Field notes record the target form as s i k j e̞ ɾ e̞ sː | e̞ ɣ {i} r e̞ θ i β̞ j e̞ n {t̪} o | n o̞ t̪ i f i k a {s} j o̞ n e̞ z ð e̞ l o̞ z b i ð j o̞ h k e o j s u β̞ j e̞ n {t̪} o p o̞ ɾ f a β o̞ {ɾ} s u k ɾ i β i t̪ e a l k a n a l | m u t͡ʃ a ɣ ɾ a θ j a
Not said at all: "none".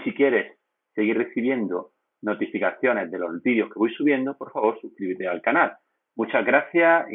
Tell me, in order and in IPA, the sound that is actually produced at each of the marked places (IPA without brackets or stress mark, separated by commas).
i, d̪, θ, d̪, ɾ